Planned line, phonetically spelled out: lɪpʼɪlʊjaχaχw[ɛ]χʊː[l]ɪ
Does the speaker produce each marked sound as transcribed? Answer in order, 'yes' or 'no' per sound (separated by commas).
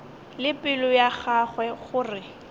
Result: yes, no